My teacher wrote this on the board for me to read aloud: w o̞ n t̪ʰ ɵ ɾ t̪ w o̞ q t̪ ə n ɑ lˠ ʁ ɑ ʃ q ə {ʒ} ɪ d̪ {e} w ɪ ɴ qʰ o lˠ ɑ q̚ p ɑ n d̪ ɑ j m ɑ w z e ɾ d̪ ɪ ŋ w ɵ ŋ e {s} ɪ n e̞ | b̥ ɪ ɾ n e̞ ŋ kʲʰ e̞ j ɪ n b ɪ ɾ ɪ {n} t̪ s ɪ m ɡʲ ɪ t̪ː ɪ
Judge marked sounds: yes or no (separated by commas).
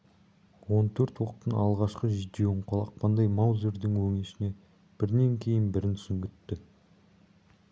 yes, yes, no, yes